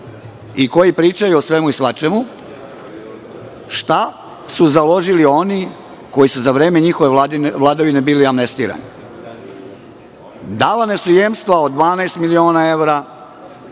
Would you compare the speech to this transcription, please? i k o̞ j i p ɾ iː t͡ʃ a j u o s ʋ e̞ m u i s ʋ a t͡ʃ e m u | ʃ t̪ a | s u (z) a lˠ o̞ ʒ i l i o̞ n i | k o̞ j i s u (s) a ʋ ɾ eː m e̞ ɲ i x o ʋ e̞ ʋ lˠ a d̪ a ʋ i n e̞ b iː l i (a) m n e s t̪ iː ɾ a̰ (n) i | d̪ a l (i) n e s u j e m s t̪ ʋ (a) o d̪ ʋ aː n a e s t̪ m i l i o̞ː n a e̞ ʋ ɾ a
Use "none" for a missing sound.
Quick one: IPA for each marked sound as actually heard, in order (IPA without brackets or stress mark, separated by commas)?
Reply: z, z, a, n, a, a